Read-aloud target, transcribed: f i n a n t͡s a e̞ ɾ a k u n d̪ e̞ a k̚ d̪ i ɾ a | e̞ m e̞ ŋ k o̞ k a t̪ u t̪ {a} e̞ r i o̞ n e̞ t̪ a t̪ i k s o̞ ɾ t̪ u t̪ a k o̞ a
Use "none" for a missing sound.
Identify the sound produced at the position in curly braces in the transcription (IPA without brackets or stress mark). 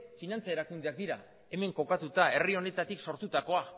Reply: a